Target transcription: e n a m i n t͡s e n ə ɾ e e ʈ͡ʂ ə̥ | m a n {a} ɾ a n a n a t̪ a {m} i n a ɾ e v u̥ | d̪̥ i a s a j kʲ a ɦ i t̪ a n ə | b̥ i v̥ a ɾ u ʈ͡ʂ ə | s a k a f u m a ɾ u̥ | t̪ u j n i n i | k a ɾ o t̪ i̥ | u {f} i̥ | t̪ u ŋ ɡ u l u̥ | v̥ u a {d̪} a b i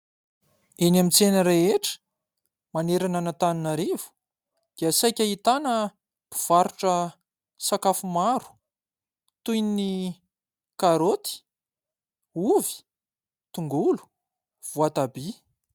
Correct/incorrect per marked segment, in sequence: incorrect: e, incorrect: n, incorrect: v, incorrect: t̪

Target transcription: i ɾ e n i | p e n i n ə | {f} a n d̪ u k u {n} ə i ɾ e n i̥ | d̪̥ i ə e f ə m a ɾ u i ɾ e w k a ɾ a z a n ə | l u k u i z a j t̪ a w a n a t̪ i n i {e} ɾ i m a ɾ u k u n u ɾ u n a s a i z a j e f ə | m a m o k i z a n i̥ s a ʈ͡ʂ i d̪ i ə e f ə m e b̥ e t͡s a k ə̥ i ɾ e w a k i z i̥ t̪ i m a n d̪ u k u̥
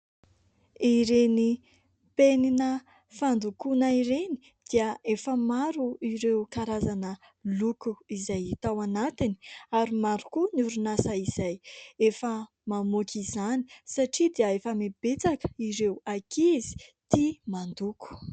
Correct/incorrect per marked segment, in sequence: correct, correct, incorrect: a

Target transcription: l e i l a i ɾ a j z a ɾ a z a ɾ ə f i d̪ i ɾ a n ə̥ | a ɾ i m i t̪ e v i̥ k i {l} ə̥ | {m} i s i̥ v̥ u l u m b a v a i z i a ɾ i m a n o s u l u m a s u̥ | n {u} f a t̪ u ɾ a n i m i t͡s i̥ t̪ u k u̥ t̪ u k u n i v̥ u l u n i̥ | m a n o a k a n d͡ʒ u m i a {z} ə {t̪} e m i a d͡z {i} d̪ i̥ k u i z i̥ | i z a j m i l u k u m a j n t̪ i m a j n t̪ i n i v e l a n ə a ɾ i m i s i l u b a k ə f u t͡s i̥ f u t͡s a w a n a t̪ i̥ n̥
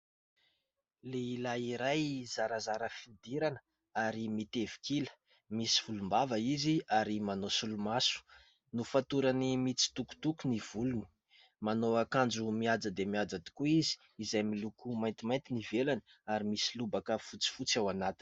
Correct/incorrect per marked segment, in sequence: correct, correct, correct, incorrect: d͡z, incorrect: d̪, incorrect: a

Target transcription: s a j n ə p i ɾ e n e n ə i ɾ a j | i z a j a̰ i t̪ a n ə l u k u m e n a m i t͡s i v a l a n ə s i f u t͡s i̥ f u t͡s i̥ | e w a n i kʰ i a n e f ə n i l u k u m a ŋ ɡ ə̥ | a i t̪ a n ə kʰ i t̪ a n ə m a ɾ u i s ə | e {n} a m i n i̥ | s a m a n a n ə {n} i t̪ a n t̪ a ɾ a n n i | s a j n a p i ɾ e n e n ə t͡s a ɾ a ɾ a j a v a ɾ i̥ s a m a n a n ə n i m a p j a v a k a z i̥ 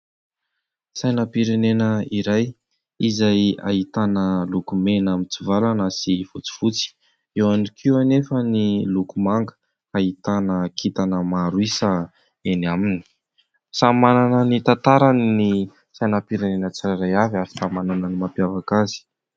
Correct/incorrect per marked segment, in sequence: correct, correct

